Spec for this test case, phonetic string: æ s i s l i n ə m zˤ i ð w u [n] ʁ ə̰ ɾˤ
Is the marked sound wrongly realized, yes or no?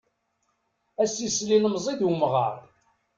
yes